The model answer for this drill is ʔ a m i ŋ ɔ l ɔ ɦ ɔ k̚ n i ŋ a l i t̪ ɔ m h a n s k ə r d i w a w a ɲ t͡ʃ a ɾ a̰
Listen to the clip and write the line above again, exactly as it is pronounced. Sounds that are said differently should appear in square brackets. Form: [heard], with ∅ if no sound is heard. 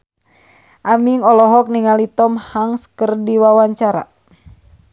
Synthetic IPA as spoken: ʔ a m i ŋ ɔ l ɔ ɦ ɔ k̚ n i ŋ a l i t̪ ɔ m h a [ŋ] s k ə r d i w a w a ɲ t͡ʃ a ɾ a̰

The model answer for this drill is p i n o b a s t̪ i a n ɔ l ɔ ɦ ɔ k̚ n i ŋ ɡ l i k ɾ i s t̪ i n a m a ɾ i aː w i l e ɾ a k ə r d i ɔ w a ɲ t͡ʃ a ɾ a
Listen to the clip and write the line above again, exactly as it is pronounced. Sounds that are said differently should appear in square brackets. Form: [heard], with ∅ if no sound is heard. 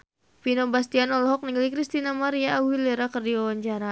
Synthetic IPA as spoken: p i n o b a s t̪ i a n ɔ l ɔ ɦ ɔ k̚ n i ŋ ɡ l i k ɾ i s t̪ i n a m a ɾ i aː w i l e ɾ a k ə r d i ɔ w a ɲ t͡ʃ a ɾ a

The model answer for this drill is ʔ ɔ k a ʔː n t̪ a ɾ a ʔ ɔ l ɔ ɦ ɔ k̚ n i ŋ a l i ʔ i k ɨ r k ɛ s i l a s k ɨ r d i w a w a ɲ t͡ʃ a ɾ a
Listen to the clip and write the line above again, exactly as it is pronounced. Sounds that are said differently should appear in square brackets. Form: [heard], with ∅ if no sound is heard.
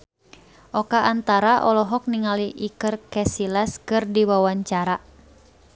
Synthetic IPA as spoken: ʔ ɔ k a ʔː n t̪ a ɾ a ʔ ɔ l ɔ ɦ ɔ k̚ n i ŋ a l i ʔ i k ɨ r k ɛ s i l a s k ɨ r d i w a w a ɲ t͡ʃ a ɾ a

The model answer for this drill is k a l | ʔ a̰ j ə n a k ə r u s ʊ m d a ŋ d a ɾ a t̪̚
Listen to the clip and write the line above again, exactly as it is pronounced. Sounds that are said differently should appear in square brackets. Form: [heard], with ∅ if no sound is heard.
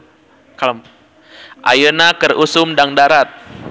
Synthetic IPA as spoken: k a l | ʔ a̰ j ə n a k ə r u s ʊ m d a ŋ d a ɾ a t̪̚

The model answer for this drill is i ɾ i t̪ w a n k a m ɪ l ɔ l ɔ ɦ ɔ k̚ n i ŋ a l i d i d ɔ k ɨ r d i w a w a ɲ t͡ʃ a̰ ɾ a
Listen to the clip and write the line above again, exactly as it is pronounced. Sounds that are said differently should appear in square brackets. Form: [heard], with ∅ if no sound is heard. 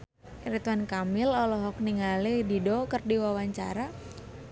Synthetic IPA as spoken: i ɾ i t̪ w a n k a m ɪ l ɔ l ɔ ɦ ɔ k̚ n i ŋ a l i d i d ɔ k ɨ r d i w a w a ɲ t͡ʃ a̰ ɾ a

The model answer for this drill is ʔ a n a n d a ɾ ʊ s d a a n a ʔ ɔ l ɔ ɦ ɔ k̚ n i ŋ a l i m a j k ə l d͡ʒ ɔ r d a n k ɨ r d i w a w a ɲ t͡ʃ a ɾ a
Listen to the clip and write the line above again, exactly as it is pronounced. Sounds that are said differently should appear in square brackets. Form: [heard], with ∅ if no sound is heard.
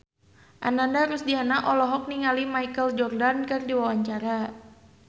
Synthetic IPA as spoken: ʔ a n a n d a ɾ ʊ s d [i] a n a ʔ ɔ l ɔ ɦ ɔ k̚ n i ŋ a l i m a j k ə l d͡ʒ ɔ r d a n k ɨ r d i w a w a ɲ t͡ʃ a ɾ a

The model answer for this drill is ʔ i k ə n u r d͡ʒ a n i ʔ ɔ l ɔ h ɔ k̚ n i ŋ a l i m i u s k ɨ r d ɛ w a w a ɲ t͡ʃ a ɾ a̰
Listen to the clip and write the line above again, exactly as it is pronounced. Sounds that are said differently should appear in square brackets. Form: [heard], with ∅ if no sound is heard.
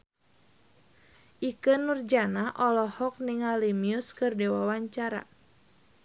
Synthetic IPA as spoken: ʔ i k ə n u r d͡ʒ a n [a] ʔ ɔ l ɔ h ɔ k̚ n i ŋ a l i m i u s k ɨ r d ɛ w a w a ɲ t͡ʃ a ɾ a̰

